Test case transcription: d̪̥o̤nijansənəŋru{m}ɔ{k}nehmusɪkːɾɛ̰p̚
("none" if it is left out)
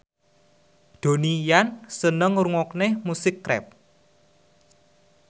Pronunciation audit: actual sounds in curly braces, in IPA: ŋ, k

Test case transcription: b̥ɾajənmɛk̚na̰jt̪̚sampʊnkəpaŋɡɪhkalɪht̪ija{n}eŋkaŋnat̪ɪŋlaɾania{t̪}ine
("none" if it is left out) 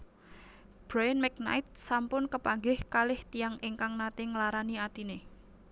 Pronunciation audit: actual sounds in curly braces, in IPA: ŋ, t̪

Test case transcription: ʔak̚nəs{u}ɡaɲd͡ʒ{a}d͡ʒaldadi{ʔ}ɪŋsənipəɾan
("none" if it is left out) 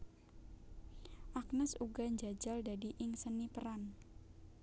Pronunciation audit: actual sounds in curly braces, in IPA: u, a, ʔ

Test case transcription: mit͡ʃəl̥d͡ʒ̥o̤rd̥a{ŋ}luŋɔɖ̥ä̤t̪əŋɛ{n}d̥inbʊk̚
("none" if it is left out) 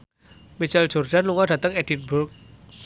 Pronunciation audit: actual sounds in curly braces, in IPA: n, none

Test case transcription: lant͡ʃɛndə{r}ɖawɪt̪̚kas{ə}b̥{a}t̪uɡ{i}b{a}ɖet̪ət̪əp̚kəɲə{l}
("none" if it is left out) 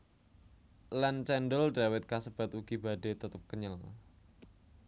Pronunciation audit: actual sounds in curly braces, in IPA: l, ə, a, i, a, l

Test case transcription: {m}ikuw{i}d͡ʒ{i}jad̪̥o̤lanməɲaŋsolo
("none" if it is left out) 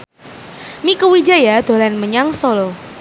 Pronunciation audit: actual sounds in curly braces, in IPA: m, i, a

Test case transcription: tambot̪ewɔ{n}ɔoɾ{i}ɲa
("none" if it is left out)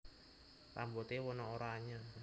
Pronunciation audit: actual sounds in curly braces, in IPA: n, a

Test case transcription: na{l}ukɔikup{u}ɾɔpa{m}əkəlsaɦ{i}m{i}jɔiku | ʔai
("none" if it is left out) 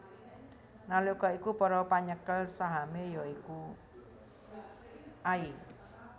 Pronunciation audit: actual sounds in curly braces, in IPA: l, ɔ, ɲ, a, e

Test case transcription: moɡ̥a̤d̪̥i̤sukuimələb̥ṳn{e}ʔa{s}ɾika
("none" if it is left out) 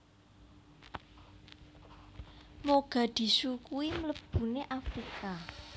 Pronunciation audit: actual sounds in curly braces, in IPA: e, f

